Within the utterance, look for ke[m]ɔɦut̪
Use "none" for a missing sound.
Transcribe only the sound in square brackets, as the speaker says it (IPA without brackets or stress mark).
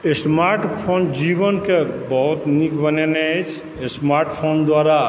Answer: b